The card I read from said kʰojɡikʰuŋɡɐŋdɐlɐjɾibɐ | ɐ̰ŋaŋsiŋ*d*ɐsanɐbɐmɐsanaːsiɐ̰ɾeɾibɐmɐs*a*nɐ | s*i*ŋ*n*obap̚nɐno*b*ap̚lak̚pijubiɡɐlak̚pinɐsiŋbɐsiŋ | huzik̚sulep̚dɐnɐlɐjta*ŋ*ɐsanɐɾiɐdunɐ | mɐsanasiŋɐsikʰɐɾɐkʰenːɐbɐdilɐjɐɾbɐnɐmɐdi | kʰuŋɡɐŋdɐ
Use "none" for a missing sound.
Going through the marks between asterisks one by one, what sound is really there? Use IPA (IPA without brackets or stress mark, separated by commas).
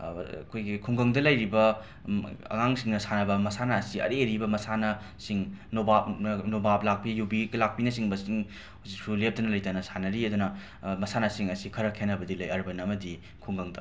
n, a, i, n, b, n